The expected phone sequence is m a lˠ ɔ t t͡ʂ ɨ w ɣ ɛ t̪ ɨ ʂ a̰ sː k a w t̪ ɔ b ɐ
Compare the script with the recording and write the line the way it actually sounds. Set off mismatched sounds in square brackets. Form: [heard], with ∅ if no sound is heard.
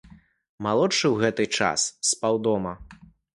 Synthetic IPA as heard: m a lˠ ɔ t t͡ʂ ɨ w ɣ ɛ t̪ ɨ [t͡ʂ] a̰ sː [p] a w [d̪] ɔ [m] ɐ